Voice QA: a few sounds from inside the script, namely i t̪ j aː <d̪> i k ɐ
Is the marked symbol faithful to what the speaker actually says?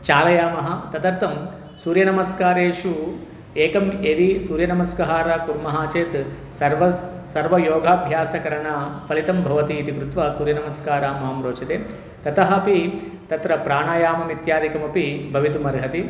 yes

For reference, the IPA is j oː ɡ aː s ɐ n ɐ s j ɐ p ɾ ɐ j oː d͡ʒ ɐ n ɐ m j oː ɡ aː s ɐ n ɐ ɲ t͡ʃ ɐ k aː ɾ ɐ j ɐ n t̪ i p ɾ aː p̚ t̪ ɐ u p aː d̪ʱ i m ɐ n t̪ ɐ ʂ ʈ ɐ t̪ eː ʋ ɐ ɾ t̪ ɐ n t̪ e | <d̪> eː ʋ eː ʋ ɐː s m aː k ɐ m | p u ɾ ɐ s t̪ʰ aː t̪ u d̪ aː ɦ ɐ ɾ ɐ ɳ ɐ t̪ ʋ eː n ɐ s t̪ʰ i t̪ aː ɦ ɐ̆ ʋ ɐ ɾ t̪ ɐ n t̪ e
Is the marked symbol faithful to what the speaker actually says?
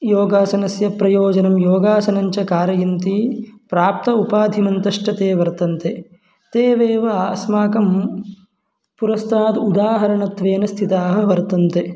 no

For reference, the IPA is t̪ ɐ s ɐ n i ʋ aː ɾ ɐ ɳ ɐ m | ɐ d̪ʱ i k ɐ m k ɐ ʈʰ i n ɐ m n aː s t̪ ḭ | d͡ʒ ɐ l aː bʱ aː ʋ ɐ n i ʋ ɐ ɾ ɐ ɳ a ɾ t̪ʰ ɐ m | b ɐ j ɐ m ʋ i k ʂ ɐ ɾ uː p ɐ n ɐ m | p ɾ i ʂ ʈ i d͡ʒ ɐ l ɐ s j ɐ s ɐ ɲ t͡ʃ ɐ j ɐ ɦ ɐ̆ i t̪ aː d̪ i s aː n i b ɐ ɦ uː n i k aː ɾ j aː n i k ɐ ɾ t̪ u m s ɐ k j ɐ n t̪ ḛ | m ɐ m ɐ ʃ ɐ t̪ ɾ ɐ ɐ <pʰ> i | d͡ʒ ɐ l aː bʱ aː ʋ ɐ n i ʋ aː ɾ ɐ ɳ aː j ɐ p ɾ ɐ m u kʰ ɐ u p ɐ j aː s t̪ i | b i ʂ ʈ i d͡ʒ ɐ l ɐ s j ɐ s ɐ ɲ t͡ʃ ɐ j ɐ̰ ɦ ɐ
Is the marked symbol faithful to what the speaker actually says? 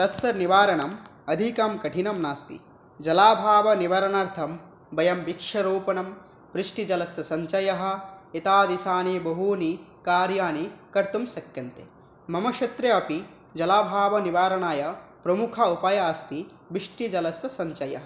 no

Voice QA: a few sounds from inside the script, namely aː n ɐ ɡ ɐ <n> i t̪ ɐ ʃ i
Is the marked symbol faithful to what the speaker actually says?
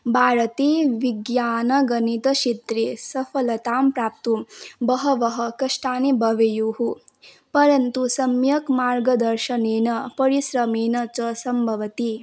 yes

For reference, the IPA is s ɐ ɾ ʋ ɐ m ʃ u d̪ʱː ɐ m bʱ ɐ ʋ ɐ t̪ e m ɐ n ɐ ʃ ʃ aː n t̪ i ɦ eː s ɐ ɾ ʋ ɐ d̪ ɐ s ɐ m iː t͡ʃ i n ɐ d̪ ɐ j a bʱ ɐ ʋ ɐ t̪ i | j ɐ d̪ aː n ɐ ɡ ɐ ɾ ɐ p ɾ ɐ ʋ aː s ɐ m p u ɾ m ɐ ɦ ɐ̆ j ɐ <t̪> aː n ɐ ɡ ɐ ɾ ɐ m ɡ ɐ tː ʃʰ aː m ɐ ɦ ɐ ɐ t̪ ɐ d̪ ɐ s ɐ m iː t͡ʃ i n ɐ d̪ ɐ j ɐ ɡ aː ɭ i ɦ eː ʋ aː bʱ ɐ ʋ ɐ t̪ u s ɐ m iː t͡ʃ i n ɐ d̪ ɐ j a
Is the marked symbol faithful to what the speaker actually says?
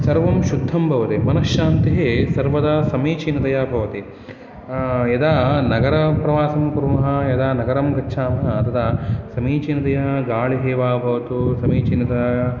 no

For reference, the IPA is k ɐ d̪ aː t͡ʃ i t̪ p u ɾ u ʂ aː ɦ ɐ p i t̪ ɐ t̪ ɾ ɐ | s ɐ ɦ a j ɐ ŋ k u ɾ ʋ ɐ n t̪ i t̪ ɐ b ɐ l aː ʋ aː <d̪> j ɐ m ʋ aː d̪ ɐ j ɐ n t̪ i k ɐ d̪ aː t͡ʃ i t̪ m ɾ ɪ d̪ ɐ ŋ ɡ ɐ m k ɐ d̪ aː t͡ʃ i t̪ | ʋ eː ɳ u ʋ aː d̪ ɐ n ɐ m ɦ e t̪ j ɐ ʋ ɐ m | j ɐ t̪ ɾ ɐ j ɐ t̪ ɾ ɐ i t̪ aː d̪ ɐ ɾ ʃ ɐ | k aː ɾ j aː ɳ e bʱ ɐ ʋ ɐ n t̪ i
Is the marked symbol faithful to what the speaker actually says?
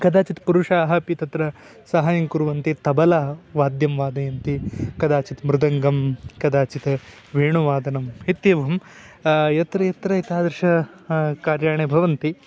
yes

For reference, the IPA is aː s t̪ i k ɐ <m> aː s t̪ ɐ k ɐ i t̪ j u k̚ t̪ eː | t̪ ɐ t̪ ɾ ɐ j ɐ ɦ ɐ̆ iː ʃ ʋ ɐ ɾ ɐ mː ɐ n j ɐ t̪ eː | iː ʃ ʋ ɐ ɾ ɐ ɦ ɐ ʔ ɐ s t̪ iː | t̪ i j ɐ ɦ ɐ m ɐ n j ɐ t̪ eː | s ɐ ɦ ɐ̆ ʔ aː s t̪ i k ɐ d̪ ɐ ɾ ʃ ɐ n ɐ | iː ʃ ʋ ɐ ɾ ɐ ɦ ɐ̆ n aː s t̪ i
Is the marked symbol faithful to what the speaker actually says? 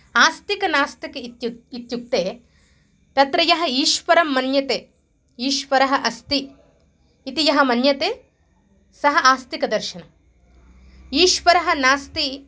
no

